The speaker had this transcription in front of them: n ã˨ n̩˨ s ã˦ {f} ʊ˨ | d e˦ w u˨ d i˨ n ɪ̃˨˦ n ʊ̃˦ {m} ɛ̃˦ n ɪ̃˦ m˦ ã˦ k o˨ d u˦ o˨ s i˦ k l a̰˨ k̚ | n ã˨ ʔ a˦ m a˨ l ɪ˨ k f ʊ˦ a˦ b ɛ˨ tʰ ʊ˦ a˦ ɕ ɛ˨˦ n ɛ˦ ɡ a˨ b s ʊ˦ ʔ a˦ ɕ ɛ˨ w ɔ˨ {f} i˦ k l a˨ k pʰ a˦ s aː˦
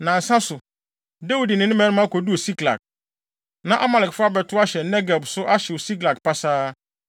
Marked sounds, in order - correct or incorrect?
incorrect, correct, incorrect

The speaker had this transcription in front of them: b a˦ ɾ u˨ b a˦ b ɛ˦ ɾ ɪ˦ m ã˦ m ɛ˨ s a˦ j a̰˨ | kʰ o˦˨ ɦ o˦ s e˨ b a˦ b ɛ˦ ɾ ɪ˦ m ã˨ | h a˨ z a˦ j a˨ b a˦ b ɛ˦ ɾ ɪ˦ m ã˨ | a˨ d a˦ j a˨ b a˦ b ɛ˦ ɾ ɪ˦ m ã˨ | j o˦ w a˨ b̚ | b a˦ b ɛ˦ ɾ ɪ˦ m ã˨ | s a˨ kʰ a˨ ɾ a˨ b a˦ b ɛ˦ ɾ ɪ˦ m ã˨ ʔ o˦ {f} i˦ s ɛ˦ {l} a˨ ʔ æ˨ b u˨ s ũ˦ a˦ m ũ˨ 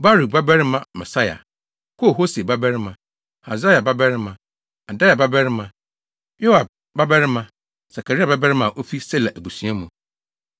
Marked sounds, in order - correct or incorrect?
correct, correct

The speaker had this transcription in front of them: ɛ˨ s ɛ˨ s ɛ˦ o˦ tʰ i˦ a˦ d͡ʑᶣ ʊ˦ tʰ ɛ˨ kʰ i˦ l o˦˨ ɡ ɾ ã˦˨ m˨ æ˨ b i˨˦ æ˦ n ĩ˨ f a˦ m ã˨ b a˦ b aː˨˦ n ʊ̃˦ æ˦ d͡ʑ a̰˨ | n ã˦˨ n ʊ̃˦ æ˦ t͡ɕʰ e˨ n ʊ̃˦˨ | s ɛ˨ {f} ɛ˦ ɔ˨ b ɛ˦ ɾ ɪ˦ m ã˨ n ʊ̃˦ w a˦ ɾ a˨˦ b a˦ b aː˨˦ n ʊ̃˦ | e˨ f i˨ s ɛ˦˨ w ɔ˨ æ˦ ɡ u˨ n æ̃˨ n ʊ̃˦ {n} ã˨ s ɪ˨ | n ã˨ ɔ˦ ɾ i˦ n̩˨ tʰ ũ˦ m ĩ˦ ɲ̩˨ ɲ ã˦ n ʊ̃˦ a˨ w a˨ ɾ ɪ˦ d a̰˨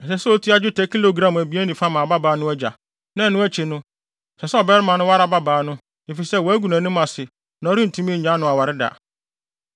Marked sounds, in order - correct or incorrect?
incorrect, incorrect

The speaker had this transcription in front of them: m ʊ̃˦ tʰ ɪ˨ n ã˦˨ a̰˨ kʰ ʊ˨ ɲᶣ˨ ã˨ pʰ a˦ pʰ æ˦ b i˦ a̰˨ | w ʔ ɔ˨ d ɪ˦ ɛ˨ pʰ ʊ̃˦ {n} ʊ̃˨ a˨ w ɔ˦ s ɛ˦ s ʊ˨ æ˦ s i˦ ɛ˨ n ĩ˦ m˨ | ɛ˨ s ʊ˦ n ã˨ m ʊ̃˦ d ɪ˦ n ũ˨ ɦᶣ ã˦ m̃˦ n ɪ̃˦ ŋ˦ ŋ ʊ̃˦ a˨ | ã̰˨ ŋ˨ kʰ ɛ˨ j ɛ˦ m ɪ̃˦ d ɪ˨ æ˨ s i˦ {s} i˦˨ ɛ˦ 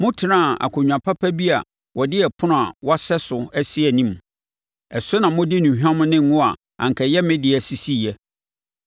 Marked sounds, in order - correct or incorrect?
correct, correct

